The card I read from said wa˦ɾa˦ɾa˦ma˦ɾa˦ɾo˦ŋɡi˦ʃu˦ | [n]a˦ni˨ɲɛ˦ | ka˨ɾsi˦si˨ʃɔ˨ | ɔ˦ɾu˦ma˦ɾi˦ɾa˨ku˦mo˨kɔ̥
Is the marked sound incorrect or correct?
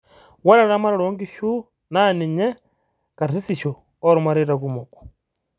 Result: correct